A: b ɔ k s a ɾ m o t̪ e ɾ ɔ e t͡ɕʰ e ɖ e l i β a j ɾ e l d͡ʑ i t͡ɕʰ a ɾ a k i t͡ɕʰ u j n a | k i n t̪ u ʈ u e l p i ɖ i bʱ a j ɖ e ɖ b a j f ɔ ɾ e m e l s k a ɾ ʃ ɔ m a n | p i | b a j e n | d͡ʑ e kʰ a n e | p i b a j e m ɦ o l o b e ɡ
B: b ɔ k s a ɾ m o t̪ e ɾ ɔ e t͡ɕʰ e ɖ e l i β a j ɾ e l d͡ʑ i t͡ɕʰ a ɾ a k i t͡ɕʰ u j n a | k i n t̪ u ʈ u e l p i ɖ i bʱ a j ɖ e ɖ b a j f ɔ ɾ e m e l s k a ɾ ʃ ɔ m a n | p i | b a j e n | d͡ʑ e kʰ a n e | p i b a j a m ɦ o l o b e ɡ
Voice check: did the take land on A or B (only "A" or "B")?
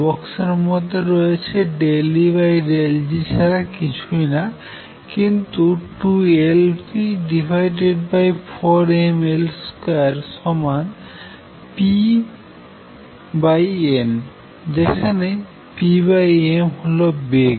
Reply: A